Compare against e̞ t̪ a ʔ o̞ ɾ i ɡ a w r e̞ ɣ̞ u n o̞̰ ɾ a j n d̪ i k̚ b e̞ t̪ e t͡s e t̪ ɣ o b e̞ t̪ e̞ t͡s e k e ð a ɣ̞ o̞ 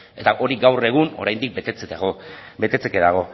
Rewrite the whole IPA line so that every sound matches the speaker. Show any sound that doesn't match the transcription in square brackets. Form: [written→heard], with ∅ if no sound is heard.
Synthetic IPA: e̞ t̪ a ʔ o̞ ɾ i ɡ a w r e̞ ɣ̞ u n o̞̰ ɾ a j n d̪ i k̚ b e̞ t̪ e t͡s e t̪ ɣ o b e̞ t̪ e̞ t͡s e k e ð a ɣ̞ o̞

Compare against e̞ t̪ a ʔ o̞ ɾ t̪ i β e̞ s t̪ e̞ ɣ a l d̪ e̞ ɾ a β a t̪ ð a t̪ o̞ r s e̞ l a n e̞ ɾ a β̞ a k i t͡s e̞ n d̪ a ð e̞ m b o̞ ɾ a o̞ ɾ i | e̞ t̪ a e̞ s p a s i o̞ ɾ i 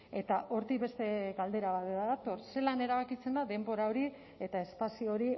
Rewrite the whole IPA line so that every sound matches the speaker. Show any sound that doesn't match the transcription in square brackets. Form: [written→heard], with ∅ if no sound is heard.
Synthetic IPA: e̞ t̪ a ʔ o̞ ɾ t̪ i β e̞ s t̪ e̞ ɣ a l d̪ e̞ ɾ a β a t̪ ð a t̪ o̞ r s e̞ l a n e̞ ɾ a β̞ a k i t͡s e̞ n d̪ a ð e̞ m b o̞ ɾ a o̞ ɾ i | e̞ t̪ a e̞ s p a s i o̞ ɾ i

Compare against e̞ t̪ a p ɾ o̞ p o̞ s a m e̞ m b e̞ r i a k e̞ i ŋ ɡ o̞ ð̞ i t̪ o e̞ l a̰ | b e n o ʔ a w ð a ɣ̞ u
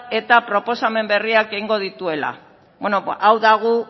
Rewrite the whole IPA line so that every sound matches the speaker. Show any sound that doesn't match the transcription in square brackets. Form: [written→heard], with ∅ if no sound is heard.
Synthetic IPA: e̞ t̪ a p ɾ o̞ p o̞ s a m e̞ m b e̞ r i a k e̞ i ŋ ɡ o̞ ð̞ i t̪ [o→u] e̞ l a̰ | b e n o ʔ a w ð a ɣ̞ u

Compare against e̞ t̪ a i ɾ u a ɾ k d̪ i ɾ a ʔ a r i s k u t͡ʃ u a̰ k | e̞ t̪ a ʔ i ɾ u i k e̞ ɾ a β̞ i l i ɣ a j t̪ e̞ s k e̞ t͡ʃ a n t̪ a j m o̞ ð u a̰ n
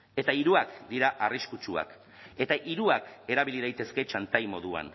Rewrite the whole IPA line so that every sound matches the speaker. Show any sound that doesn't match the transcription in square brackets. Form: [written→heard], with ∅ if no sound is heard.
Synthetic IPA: e̞ t̪ a i ɾ u a [ɾ→∅] k d̪ i ɾ a ʔ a r i s k u t͡ʃ u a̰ k | e̞ t̪ a ʔ i ɾ u [i→a] k e̞ ɾ a β̞ i l i [ɣ→ð] a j t̪ e̞ s k e̞ t͡ʃ a n t̪ a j m o̞ ð u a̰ n

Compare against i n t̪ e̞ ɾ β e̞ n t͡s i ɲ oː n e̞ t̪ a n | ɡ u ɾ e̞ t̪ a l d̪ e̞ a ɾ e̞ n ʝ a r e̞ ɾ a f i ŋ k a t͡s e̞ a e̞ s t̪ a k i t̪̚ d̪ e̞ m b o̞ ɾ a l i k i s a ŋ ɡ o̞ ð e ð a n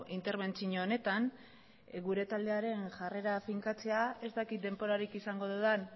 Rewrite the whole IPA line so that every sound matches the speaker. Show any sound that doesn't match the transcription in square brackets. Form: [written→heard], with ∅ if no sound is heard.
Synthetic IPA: i n t̪ e̞ ɾ β e̞ n t͡s i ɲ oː n e̞ t̪ a n | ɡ u ɾ e̞ t̪ a l d̪ e̞ a ɾ e̞ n ʝ a r e̞ ɾ a f i ŋ k a t͡s e̞ a e̞ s t̪ a k i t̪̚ d̪ e̞ m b o̞ ɾ a [l→ɾ] i k i s a ŋ ɡ o̞ ð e ð a n

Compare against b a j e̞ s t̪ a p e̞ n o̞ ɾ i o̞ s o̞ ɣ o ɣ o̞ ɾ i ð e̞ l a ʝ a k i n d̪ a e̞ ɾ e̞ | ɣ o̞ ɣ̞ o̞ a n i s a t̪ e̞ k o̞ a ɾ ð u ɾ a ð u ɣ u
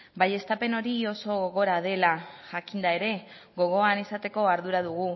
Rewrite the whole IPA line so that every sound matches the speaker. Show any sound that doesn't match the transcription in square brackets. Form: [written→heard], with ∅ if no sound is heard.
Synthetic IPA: b a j e̞ s t̪ a p e̞ n o̞ ɾ i o̞ s o̞ ɣ o ɣ o̞ ɾ [i→a] ð e̞ l a ʝ a k i n d̪ a e̞ ɾ e̞ | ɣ o̞ ɣ̞ o̞ a n i s a t̪ e̞ k o̞ a ɾ ð u ɾ a ð u ɣ u

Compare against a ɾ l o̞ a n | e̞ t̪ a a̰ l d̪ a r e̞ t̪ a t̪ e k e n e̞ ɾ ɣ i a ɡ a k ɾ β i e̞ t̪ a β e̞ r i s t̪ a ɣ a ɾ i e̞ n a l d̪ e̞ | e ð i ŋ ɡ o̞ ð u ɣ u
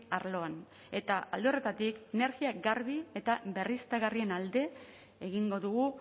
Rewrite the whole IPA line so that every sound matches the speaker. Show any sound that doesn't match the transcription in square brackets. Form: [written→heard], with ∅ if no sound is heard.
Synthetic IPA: a ɾ l o̞ a n | e̞ t̪ a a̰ l d̪ [a→e] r e̞ t̪ a t̪ [e→i] k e n e̞ ɾ ɣ i a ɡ a [k→∅] ɾ β i e̞ t̪ a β e̞ r i s t̪ a ɣ a [ɾ→r] i e̞ n a l d̪ e̞ | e [ð→ɣ] i ŋ ɡ o̞ ð u ɣ u

